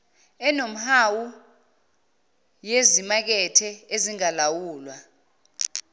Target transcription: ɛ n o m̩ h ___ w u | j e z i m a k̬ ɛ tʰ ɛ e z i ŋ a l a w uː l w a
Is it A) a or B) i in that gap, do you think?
A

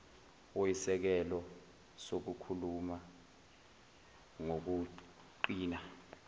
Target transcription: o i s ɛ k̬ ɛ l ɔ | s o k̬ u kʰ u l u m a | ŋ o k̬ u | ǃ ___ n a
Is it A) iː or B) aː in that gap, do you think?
A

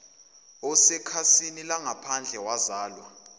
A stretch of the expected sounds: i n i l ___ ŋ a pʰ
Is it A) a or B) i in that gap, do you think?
A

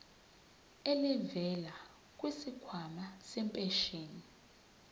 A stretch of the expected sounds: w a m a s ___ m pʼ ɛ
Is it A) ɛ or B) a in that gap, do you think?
A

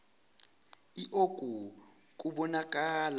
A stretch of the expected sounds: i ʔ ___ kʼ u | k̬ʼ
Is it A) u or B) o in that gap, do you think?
B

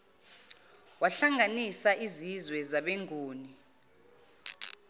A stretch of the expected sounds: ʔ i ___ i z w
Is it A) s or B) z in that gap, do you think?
B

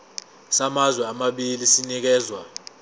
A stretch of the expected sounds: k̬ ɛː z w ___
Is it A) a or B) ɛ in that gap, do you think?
A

